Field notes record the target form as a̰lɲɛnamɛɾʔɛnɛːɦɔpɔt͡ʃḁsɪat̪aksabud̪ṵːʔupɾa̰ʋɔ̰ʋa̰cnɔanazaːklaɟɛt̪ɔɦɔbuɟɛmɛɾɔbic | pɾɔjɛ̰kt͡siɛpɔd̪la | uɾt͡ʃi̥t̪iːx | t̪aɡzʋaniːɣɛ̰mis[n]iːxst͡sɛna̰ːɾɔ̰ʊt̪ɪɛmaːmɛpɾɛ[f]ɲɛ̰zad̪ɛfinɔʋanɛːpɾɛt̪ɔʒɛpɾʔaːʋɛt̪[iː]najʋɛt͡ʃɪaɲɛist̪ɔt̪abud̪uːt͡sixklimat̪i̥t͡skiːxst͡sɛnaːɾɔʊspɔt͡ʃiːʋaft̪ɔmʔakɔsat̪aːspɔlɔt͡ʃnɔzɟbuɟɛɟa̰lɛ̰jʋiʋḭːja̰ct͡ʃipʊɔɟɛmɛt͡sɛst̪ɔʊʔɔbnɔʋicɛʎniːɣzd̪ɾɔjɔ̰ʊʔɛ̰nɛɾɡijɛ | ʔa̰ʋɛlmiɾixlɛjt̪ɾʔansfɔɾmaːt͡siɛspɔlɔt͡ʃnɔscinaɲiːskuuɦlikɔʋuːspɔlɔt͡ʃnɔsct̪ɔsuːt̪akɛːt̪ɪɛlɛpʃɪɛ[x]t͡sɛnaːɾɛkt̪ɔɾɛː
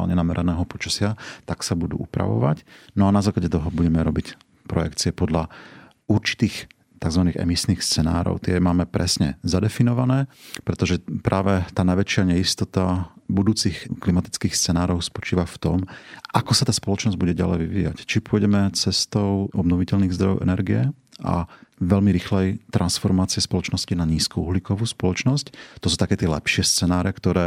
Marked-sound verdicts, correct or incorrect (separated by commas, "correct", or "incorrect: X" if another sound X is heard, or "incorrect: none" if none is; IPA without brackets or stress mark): correct, incorrect: s, incorrect: aː, incorrect: s